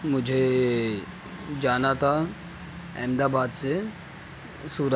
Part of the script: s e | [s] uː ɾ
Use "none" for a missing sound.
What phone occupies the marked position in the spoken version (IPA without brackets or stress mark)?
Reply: s